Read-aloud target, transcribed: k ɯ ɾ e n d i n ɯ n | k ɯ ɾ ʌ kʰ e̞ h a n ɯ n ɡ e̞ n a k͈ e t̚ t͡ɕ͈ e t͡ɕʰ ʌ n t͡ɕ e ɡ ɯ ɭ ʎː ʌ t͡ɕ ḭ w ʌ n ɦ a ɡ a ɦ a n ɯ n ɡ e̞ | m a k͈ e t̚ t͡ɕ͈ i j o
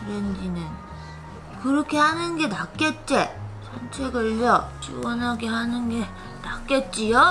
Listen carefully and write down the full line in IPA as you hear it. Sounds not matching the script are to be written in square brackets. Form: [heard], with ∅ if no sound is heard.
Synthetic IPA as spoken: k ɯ ɾ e n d i n ɯ n | k ɯ ɾ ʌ kʰ e̞ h a n ɯ n ɡ e̞ n a k͈ e t̚ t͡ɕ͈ e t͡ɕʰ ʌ n [t͡ɕʰ] e ɡ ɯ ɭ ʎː ʌ t͡ɕ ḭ w ʌ n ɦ a ɡ [e] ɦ a n ɯ n ɡ e̞ | [n] a k͈ e t̚ t͡ɕ͈ i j o